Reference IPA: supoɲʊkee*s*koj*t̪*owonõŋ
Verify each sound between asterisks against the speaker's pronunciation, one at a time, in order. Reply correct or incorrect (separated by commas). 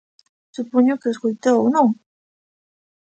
correct, correct